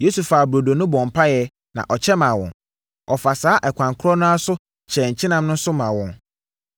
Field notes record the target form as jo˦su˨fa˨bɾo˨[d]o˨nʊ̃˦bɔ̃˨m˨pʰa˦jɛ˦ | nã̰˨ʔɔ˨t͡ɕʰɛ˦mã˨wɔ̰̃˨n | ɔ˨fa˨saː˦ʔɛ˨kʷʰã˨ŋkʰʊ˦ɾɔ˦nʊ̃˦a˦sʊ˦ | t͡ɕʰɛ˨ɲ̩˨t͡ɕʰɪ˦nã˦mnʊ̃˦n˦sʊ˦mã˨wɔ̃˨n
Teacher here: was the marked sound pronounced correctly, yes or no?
yes